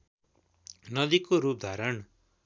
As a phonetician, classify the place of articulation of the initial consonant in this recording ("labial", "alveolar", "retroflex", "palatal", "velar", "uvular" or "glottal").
alveolar